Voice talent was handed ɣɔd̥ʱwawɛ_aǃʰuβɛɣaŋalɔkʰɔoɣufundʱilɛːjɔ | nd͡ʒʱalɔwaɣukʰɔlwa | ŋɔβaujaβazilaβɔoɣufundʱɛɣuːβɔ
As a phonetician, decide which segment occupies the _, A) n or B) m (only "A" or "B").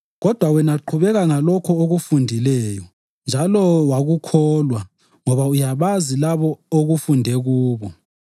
A